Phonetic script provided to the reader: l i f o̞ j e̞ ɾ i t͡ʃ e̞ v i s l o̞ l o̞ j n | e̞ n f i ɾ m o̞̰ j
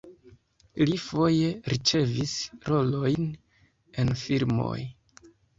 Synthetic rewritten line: l i f o̞ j e̞ ɾ i t͡ʃ e̞ v i s ɾ o̞ l o̞ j n | e̞ n f i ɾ m o̞̰ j